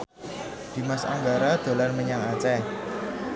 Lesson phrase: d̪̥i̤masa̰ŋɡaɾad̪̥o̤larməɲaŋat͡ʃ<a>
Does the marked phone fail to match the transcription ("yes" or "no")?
yes